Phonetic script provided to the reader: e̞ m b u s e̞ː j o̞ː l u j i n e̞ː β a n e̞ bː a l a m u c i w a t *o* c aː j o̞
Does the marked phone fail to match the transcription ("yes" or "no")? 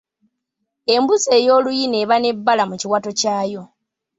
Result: no